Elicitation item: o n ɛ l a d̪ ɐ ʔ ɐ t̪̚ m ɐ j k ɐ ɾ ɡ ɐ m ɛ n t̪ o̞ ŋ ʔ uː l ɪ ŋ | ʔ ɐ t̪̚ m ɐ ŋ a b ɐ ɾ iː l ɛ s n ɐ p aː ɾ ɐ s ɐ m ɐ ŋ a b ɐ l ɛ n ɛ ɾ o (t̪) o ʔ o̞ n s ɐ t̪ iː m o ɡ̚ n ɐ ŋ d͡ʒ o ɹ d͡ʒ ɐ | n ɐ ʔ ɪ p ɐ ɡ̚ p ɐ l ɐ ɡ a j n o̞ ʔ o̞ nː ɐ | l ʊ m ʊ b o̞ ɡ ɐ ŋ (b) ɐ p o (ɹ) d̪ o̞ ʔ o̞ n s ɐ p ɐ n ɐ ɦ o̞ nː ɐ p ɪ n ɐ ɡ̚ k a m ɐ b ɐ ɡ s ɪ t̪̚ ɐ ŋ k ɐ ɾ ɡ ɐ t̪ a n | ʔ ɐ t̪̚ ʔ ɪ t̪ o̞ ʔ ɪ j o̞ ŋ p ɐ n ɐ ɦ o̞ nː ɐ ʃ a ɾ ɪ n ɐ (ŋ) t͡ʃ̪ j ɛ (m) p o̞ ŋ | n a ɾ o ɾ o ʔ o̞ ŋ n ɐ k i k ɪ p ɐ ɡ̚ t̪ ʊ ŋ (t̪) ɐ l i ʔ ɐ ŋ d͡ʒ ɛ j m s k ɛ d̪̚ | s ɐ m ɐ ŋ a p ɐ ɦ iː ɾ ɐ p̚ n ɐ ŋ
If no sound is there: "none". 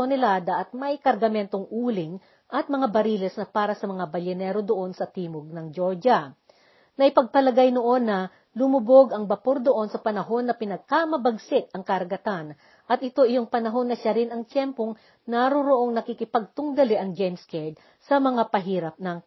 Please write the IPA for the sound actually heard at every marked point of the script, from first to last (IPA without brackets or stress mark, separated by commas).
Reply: d̪, b, ɾ, ŋ, m, d̪